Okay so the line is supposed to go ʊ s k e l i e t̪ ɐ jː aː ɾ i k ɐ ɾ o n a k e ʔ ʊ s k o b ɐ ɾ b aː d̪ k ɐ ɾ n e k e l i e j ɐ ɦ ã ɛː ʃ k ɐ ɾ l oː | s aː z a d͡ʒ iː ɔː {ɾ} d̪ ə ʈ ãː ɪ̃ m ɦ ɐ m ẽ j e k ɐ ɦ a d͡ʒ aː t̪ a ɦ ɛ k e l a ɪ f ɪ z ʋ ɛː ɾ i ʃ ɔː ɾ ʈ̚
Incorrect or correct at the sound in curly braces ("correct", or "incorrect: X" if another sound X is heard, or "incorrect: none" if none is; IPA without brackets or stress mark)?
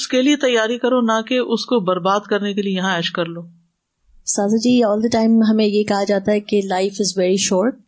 incorrect: l